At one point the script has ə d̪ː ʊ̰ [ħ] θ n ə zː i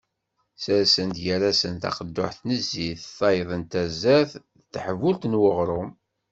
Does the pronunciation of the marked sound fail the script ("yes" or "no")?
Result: no